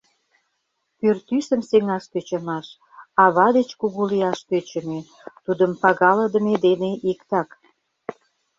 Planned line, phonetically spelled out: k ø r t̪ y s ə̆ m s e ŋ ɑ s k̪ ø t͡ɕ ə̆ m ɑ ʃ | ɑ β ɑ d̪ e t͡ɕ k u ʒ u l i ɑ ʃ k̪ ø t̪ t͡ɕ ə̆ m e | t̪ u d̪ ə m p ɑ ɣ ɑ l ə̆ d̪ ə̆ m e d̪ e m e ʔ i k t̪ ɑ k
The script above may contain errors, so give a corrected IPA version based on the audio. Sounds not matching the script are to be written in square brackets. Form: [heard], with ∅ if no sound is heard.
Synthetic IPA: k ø r t̪ y s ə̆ m s e ŋ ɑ [ʃ] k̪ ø t͡ɕ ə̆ m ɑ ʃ | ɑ β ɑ d̪ e t͡ɕ k u [ɣ] u l i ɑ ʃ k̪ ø [∅] t͡ɕ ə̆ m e | t̪ u d̪ ə m p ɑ ɣ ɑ l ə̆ d̪ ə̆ m e d̪ e [n] e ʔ i k t̪ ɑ k